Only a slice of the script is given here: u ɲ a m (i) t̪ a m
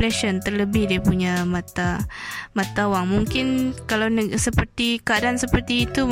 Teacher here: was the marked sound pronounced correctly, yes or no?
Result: no